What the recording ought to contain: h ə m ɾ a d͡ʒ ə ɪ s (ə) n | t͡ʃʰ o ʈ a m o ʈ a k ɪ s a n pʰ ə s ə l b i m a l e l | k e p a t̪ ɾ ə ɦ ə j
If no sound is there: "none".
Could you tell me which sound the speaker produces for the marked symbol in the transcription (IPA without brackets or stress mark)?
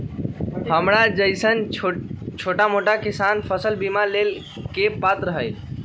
ə